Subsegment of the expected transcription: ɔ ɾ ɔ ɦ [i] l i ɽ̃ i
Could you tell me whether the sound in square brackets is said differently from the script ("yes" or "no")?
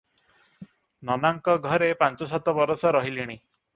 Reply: no